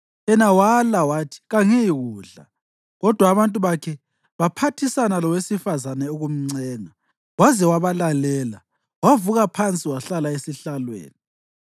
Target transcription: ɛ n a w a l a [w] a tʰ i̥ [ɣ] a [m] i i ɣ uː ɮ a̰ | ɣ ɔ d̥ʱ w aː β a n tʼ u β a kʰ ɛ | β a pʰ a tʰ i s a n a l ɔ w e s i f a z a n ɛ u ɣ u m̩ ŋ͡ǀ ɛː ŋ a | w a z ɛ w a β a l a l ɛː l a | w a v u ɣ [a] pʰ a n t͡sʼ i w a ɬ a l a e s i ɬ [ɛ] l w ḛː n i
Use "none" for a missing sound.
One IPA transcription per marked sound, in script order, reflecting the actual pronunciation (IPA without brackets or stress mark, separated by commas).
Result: w, ɣ, ŋ, a, a